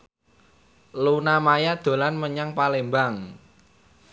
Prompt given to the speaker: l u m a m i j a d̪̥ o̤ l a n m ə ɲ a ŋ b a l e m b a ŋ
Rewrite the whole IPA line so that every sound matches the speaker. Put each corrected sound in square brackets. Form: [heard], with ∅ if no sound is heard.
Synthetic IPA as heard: l u [n] a m [a] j a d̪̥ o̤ l a n m ə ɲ a ŋ [p] a l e m b a ŋ

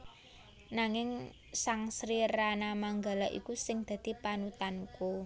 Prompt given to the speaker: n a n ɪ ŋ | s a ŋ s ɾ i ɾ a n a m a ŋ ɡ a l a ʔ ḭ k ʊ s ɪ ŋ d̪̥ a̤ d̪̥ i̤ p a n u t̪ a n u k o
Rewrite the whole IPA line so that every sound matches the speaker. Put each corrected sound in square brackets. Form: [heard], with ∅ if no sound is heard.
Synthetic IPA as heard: n a [ŋ] ɪ ŋ | s a ŋ s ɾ i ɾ a n a m a ŋ ɡ a l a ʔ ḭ k [u] s ɪ ŋ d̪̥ a̤ d̪̥ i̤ p a n u t̪ a n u k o

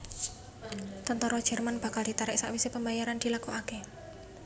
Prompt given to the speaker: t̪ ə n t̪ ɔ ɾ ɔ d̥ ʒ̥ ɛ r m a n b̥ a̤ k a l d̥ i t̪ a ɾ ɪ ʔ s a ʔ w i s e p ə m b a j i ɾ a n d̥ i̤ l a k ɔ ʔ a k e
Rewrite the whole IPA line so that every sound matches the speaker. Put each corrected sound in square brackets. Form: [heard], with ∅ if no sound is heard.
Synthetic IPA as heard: t̪ ə n t̪ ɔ ɾ ɔ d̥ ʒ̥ ɛ r m a n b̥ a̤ k a l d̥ i t̪ a ɾ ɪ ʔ s a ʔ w i s e p ə m b a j [a] ɾ a n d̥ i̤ l a k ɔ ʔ a k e

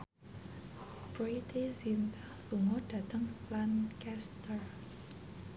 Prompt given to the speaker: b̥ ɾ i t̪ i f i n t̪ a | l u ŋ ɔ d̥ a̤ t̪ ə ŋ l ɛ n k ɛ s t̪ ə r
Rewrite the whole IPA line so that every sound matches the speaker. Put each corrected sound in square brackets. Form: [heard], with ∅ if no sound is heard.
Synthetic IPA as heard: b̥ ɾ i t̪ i [s] i n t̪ a | l u ŋ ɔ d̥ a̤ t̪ ə ŋ l [a] n k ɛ s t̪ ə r

